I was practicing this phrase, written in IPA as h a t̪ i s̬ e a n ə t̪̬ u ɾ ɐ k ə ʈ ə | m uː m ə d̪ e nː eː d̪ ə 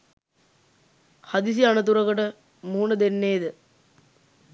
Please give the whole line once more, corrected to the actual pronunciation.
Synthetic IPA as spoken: h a d̪ i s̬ i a n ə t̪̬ u ɾ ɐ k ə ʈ ə | m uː n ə d̪ e nː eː d̪ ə